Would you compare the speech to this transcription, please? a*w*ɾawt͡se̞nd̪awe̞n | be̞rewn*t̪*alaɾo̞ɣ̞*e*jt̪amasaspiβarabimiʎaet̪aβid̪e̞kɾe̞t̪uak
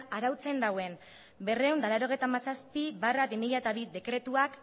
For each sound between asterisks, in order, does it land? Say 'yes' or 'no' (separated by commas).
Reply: no, no, yes